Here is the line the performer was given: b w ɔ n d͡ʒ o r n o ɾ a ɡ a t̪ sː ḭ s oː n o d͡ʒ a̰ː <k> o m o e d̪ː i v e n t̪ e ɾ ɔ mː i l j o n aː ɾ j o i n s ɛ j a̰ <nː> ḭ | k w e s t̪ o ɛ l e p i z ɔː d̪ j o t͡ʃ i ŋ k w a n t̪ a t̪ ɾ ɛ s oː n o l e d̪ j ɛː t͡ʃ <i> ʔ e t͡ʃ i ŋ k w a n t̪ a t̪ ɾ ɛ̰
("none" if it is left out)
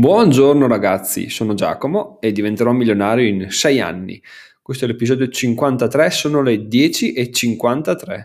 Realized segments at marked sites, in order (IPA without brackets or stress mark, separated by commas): k, nː, i